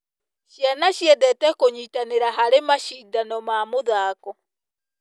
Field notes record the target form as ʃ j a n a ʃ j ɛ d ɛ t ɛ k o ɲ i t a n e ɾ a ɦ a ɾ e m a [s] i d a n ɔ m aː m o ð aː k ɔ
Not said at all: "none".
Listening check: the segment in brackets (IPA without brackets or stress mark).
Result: ʃ